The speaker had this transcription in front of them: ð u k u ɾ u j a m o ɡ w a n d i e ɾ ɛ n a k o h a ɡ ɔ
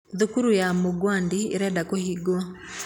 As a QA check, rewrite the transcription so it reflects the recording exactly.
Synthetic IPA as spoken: ð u k u ɾ u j a m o ɡ w a n d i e ɾ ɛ d a k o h i ɡ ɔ